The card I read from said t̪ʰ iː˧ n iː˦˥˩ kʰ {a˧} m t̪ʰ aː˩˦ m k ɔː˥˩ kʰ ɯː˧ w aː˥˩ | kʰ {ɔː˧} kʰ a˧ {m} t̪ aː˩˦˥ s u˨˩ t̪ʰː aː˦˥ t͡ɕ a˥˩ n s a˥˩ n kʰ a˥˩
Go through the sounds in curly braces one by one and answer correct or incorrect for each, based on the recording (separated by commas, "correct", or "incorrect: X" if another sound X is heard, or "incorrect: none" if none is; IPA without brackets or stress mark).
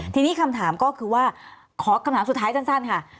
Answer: correct, incorrect: ɔː˩˦, correct